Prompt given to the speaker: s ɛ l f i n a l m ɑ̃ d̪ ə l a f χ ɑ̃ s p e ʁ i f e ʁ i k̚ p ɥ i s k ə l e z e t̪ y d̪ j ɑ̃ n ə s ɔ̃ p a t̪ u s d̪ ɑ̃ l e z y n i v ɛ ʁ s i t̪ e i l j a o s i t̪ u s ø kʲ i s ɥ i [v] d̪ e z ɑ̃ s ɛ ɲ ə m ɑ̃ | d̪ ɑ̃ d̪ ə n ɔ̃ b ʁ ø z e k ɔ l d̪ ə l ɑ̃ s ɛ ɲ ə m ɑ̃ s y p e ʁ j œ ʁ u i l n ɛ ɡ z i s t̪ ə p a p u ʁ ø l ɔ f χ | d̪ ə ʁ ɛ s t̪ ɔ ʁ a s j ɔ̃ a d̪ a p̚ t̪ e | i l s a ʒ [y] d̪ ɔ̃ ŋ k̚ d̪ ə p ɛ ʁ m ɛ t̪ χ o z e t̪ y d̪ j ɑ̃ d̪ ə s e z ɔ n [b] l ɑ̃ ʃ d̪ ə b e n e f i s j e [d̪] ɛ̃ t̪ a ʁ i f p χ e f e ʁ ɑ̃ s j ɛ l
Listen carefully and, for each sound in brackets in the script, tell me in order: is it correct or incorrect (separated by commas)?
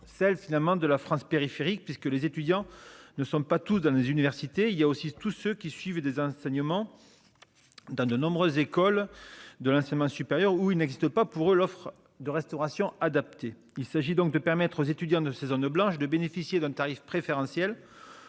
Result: correct, incorrect, correct, correct